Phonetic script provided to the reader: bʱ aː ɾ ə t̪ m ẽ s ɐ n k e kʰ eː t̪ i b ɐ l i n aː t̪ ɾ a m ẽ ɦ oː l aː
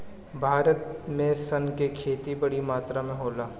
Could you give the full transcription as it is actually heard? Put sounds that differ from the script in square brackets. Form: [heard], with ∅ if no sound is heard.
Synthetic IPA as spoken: bʱ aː ɾ ə t̪ m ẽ s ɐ n k e kʰ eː t̪ i b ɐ [ɽ] i [m] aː t̪ ɾ a m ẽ ɦ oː l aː

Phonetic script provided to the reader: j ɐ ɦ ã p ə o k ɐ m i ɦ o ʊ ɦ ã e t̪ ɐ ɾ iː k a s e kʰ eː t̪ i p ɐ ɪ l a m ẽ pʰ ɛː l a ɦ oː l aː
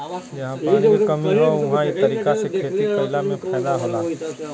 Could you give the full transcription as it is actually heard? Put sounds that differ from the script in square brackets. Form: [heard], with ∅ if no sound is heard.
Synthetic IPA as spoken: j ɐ ɦ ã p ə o k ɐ m i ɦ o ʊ ɦ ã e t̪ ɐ ɾ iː k a s e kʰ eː t̪ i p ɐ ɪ l a m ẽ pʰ ɛː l a ɦ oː l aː

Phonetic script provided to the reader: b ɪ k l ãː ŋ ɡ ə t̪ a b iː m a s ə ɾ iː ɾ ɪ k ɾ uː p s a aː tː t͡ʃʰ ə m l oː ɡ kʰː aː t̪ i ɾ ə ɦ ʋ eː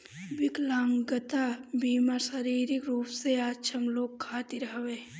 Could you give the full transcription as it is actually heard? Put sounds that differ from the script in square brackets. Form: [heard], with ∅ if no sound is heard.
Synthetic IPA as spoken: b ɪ k l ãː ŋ ɡ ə t̪ a b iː m a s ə ɾ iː ɾ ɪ k ɾ uː p s [e] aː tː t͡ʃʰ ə m l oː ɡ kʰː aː t̪ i ɾ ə ɦ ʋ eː

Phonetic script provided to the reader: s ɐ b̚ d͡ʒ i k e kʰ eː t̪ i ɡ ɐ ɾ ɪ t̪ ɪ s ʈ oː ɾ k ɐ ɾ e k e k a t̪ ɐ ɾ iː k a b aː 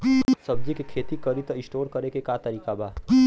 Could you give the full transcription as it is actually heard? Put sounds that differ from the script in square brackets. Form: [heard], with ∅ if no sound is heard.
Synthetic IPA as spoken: s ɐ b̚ d͡ʒ i k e kʰ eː t̪ i [k] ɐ ɾ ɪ t̪ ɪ s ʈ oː ɾ k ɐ ɾ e k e k a t̪ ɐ ɾ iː k a b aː

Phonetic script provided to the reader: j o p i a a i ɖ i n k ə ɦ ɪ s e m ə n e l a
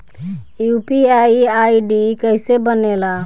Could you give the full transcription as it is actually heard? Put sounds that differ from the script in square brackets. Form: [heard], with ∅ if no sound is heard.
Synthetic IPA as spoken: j [u] p i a a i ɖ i [∅] k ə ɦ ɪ s e [b] ə n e l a

